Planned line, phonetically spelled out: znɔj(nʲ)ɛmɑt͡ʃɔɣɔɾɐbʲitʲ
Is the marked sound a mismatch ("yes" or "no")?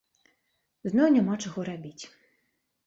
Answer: no